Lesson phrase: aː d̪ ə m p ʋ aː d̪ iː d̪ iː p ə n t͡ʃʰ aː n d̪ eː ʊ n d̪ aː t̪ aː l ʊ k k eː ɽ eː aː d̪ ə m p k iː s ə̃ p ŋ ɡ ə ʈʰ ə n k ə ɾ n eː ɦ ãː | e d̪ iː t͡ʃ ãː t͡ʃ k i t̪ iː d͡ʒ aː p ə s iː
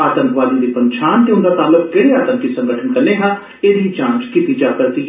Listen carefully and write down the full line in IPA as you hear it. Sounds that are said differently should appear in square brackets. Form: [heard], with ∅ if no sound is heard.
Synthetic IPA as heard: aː [t̪] ə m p ʋ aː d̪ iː d̪ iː p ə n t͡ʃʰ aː n [t̪] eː ʊ n d̪ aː t̪ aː l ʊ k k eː ɽ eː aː [t̪] ə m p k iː s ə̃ [∅] ŋ ɡ ə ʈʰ ə n k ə ɾ n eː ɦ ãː | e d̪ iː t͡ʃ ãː t͡ʃ k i t̪ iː d͡ʒ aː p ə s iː